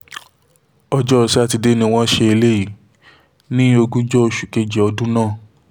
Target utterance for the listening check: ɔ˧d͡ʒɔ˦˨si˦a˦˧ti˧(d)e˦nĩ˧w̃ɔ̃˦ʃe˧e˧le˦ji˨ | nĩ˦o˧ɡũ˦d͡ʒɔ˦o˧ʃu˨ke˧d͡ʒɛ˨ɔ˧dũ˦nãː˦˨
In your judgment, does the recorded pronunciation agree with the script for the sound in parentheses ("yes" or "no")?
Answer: yes